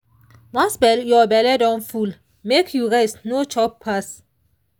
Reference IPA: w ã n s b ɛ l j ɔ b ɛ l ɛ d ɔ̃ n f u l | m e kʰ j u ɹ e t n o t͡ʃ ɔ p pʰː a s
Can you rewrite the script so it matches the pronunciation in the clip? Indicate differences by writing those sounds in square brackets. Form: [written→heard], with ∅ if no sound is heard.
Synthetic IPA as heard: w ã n s b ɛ l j ɔ b ɛ l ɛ d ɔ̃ n f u l | m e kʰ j u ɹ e [t→s] n o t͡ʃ ɔ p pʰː a s